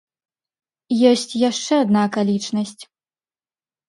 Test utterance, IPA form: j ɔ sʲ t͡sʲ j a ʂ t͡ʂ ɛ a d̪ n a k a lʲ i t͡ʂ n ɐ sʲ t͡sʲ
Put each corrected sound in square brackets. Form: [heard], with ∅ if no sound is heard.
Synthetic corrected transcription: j ɔ sʲ t͡sʲ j a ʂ t͡ʂ ɛ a d̪ n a k a lʲ i t͡ʂ n ɐ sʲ t͡sʲ

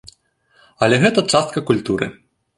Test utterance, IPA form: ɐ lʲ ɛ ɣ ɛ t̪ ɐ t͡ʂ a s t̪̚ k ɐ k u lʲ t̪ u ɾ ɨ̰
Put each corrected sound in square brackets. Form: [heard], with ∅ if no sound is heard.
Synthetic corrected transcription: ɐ lʲ ɛ ɣ ɛ t̪ ɐ t͡ʂ a s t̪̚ k ɐ k u lʲ t̪ u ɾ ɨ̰

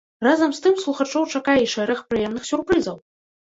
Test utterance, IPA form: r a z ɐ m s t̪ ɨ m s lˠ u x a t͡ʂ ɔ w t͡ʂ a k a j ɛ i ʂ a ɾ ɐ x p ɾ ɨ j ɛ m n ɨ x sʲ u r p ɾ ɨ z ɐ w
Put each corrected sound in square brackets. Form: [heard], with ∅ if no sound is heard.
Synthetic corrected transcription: r a z ɐ m s t̪ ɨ m s lˠ u x a t͡ʂ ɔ w t͡ʂ a k a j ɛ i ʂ [ɛ] ɾ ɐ x p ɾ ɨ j ɛ m n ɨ x sʲ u r p ɾ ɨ z ɐ w

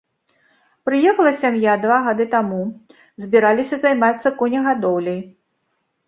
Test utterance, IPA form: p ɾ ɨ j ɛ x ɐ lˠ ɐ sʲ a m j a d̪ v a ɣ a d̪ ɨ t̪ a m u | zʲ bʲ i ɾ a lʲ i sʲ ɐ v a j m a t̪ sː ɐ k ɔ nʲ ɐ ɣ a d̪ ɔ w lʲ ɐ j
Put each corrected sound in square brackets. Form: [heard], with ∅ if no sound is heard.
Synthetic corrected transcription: p ɾ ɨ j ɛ x ɐ lˠ ɐ sʲ a m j a d̪ v a ɣ a d̪ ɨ t̪ a m u | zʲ bʲ i ɾ a lʲ i sʲ ɐ [z] a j m a t̪ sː ɐ k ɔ nʲ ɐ ɣ a d̪ ɔ w lʲ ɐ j

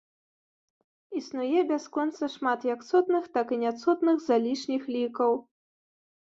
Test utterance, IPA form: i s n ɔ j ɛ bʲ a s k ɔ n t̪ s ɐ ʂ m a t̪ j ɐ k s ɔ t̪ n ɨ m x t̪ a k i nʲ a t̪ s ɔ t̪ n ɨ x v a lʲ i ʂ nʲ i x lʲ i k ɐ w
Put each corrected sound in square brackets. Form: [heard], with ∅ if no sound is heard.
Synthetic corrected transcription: i s n [u] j ɛ bʲ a s k ɔ n t̪ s ɐ ʂ m a t̪ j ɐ k s ɔ t̪ n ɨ [∅] x t̪ a k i nʲ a t̪ s ɔ t̪ n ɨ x [z] a lʲ i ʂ nʲ i x lʲ i k ɐ w

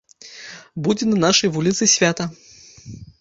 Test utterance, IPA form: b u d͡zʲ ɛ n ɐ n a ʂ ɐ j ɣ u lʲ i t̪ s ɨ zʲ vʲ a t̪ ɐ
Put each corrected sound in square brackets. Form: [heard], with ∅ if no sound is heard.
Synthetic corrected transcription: b u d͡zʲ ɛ n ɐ n a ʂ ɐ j [v] u lʲ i t̪ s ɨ [sʲ] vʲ a t̪ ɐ

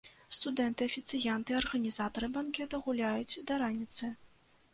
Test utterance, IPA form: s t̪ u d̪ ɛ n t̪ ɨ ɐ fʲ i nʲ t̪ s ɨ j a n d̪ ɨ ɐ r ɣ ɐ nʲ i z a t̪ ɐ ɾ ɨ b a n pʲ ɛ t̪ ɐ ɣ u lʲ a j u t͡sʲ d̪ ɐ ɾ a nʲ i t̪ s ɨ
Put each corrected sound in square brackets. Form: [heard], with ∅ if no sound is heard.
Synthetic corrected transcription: s t̪ u d̪ ɛ n t̪ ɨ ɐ fʲ i [∅] t̪ s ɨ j a n [t̪] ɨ ɐ r ɣ ɐ nʲ i z a t̪ ɐ ɾ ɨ b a n [kʲ] ɛ t̪ ɐ ɣ u lʲ a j u t͡sʲ d̪ ɐ ɾ a nʲ i t̪ s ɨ

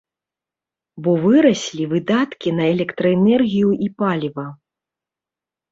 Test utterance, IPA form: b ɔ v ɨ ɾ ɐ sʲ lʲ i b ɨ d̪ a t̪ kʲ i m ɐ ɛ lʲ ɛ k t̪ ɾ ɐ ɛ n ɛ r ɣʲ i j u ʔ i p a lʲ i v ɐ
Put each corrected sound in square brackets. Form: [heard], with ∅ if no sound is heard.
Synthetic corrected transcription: b ɔ v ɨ ɾ ɐ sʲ lʲ i [v] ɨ d̪ a t̪ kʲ i [n] ɐ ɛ lʲ ɛ k t̪ ɾ ɐ ɛ n ɛ r ɣʲ i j u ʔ i p a lʲ i v ɐ

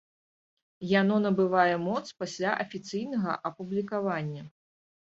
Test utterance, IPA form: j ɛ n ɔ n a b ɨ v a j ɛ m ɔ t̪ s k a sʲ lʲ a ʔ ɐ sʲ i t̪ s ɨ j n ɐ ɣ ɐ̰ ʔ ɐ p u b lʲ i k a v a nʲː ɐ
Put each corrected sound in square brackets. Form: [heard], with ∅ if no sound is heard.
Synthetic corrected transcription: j [a] n ɔ n [ɐ] b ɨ v a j ɛ m ɔ t̪ s [p] a sʲ lʲ a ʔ ɐ [fʲ] i t̪ s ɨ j n ɐ ɣ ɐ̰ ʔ ɐ p u b lʲ i k a v a nʲː ɐ

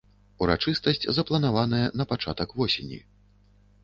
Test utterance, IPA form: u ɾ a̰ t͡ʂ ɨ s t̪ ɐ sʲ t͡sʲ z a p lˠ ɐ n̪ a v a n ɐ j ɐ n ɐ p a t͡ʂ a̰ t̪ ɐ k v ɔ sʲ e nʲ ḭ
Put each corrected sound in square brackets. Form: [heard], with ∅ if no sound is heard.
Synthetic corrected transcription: u ɾ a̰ t͡ʂ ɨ s t̪ ɐ sʲ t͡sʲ z [ɐ] p lˠ ɐ n̪ a v a n ɐ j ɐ n ɐ p a t͡ʂ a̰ t̪ ɐ k v ɔ sʲ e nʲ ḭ

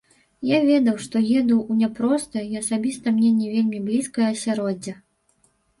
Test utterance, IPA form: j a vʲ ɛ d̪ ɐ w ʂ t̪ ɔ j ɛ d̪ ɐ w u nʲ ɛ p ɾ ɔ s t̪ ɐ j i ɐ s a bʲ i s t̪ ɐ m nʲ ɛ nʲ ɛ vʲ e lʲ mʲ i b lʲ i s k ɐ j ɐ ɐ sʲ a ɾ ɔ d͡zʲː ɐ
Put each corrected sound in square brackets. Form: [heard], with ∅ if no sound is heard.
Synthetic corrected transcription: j a vʲ ɛ d̪ ɐ w ʂ t̪ ɔ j ɛ d̪ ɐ w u nʲ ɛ p ɾ ɔ s t̪ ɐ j i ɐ s a bʲ i s t̪ ɐ m nʲ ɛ nʲ ɛ vʲ e lʲ mʲ i b lʲ i s k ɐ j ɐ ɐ sʲ a ɾ ɔ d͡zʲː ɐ

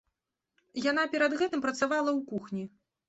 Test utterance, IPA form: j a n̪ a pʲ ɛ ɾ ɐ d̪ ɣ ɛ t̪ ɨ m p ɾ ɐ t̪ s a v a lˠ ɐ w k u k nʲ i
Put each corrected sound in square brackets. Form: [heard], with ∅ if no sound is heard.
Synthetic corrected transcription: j a n̪ a pʲ ɛ ɾ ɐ d̪ ɣ ɛ t̪ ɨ m p ɾ ɐ t̪ s a v a lˠ ɐ w k u [x] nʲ i

